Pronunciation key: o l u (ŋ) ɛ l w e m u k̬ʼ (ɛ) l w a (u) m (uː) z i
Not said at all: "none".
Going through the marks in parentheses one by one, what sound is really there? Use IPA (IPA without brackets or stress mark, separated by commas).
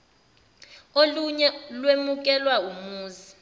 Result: ɲ, ɛ, u, uː